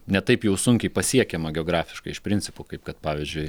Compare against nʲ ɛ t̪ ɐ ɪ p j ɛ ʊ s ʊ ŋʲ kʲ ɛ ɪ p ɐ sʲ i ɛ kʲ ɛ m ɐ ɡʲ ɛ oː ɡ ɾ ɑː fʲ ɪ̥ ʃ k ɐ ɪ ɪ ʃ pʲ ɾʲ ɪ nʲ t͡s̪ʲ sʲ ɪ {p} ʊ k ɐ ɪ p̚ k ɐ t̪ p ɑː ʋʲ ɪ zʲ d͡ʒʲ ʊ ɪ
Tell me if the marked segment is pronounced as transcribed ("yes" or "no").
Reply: yes